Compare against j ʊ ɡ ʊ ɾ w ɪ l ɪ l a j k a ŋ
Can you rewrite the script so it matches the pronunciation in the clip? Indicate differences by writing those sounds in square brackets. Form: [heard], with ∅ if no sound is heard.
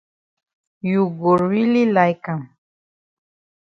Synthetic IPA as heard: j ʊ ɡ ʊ ɾ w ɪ l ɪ l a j k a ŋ